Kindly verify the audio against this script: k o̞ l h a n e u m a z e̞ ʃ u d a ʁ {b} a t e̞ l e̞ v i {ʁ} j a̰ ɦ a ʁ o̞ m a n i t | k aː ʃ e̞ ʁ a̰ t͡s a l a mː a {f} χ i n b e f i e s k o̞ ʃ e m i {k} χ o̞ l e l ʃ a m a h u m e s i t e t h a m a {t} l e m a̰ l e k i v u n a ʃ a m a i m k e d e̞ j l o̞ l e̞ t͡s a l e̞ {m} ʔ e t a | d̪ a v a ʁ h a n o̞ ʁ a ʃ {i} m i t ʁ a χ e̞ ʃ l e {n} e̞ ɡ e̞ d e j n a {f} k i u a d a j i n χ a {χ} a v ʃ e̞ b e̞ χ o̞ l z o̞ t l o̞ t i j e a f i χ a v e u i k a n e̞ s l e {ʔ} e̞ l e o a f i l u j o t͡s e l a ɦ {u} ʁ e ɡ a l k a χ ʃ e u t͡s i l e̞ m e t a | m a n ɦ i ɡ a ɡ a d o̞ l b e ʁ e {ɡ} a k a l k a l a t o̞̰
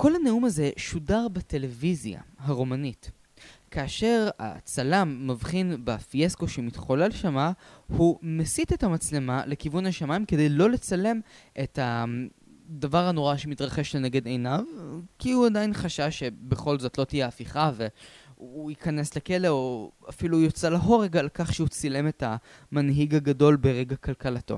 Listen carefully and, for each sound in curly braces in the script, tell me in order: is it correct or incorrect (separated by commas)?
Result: correct, incorrect, incorrect, incorrect, incorrect, correct, incorrect, correct, incorrect, incorrect, incorrect, incorrect, correct